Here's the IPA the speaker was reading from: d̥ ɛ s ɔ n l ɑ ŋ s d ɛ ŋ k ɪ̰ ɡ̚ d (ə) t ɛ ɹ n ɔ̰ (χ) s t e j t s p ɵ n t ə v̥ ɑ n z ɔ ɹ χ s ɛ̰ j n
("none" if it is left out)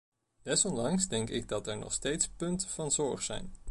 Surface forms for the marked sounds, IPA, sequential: ɑ, χ

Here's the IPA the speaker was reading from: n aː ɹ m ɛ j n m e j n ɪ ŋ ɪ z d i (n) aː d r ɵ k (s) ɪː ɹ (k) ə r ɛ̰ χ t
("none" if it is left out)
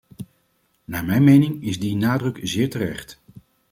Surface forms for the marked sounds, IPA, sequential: n, z, t

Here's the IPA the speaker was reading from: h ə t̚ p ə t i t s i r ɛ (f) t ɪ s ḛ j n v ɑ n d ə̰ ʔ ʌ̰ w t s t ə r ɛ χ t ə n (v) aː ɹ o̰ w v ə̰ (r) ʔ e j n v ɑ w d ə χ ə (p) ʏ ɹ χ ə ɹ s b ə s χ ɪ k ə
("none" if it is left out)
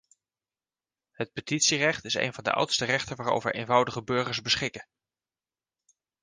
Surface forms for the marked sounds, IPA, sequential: χ, ʋ, ɹ, b

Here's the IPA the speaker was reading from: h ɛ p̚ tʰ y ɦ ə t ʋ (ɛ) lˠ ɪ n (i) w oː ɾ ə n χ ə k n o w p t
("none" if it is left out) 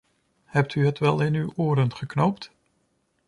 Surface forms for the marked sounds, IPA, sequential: ɛ, y

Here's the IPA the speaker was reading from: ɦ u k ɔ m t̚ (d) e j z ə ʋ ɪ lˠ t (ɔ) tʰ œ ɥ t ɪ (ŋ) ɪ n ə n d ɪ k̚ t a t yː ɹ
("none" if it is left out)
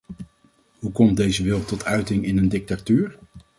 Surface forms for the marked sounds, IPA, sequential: d, ɔ, ŋ

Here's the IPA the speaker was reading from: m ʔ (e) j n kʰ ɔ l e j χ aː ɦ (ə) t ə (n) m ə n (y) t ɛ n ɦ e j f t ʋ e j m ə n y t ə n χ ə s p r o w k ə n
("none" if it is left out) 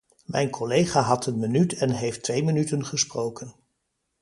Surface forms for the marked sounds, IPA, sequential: ɛ, ɑ, n, y

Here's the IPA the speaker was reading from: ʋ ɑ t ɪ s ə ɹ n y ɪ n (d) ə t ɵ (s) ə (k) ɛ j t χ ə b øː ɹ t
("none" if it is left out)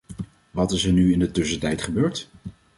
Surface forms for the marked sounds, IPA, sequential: d, s, t

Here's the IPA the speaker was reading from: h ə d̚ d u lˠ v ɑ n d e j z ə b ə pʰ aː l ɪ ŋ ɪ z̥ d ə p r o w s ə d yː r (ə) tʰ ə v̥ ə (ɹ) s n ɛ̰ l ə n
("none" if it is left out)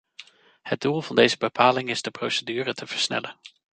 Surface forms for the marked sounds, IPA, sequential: ə, ɹ

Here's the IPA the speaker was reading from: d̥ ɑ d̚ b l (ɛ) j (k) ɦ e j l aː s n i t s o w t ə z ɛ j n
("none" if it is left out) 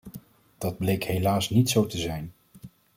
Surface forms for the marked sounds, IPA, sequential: e, k

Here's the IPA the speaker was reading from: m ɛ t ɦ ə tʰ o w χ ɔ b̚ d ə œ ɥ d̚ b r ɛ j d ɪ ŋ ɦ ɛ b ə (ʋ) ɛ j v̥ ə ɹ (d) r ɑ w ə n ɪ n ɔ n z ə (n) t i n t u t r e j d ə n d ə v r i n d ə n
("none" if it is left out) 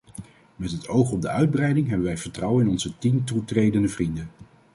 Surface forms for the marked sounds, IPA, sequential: ʋ, t, none

